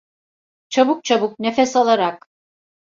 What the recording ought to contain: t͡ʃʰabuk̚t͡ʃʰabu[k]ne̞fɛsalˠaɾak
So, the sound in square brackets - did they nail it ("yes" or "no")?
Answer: yes